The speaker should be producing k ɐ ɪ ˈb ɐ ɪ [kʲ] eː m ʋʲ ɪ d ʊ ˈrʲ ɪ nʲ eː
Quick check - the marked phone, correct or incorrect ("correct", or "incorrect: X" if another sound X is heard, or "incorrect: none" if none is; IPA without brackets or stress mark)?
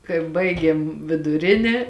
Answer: incorrect: ɡʲ